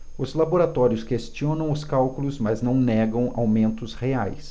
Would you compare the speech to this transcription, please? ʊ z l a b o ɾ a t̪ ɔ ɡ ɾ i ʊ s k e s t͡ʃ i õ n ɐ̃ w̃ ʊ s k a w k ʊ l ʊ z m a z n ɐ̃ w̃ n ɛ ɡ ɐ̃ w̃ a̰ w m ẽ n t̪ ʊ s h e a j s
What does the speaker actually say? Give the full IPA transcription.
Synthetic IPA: ʊ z l a b o ɾ a t̪ ɔ ɾ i ʊ s k e s t͡ʃ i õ n ɐ̃ w̃ ʊ s k a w k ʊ l ʊ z m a z n ɐ̃ w̃ n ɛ ɡ ɐ̃ w̃ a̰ w m ẽ n t̪ ʊ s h e a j s